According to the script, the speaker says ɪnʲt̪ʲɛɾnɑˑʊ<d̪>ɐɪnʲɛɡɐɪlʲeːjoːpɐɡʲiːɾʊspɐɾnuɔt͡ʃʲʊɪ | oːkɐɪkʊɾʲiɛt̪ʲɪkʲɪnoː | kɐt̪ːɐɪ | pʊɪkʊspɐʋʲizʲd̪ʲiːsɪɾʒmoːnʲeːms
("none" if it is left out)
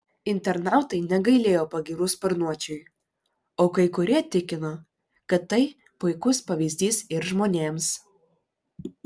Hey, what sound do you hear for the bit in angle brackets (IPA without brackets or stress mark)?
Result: t̪